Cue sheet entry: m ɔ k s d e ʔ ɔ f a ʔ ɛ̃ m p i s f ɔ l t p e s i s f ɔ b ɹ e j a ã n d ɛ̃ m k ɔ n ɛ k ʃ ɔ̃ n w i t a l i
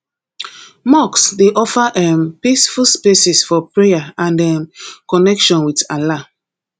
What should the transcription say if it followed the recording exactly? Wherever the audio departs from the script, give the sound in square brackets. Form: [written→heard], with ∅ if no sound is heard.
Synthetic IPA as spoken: m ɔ k s d e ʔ ɔ f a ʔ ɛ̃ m p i s f [ɔ→u] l [t→s] p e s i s f ɔ [b→p] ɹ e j a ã n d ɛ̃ m k ɔ n ɛ k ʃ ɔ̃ n w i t a l [i→a]